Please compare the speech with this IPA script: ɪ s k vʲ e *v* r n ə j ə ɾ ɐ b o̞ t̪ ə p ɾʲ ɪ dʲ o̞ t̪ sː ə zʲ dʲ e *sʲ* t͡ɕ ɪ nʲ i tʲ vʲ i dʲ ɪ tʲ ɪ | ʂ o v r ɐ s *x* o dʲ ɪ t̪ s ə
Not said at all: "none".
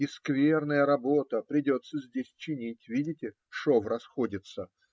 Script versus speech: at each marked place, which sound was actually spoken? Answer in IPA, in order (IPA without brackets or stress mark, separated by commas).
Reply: none, sʲ, x